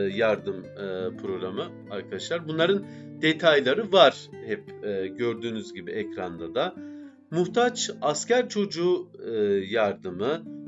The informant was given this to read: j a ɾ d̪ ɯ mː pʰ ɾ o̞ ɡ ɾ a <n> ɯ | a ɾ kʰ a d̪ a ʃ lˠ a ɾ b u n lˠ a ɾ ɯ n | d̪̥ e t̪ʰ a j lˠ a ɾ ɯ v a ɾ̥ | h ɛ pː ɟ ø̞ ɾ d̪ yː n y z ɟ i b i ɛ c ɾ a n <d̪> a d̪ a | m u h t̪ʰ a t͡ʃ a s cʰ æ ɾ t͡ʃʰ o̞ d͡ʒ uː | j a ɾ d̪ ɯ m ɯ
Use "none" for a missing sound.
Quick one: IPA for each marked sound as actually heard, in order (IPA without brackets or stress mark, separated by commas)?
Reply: m, d̪